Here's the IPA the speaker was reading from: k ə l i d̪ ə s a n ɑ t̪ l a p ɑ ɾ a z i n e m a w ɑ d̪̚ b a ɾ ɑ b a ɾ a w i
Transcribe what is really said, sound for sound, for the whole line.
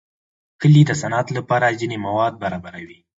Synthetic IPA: k ə l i d̪ ə s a n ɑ t̪ l a p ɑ ɾ a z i n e m a w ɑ d̪̚ b a ɾ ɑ b a ɾ a w i